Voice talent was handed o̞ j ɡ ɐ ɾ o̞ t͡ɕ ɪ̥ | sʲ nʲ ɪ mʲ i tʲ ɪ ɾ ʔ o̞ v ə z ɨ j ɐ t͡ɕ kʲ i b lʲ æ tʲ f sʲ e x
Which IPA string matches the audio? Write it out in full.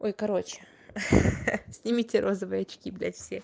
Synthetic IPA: o̞ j k ɐ ɾ o̞ t͡ɕ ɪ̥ | sʲ nʲ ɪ mʲ i tʲ ɪ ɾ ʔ o̞ z ə v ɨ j ɐ t͡ɕ kʲ i b lʲ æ tʲ f sʲ e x